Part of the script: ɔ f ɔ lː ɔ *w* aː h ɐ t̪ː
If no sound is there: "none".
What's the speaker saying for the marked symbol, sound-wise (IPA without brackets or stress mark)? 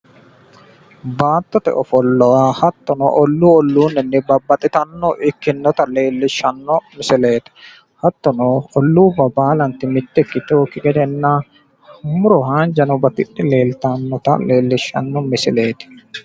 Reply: w